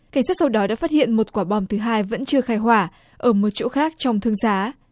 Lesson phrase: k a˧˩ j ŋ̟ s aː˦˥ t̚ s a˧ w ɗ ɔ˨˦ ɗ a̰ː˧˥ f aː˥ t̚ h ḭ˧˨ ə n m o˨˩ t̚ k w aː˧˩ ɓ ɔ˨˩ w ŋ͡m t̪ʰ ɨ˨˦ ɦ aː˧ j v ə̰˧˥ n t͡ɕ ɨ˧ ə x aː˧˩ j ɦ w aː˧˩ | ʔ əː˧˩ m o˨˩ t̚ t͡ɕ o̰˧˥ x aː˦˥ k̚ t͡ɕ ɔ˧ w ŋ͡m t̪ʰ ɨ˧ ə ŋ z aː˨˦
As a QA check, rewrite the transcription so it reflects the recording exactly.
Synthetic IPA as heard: k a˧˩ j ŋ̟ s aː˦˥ t̚ s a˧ w ɗ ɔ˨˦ ɗ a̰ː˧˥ f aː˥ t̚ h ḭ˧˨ ə n m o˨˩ t̚ k w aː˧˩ ɓ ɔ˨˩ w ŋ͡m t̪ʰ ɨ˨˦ ɦ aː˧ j v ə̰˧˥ n t͡ɕ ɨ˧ ə x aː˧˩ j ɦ w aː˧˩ | ʔ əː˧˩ m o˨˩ t̚ t͡ɕ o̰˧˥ x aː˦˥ k̚ t͡ɕ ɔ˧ w ŋ͡m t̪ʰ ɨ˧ ə ŋ z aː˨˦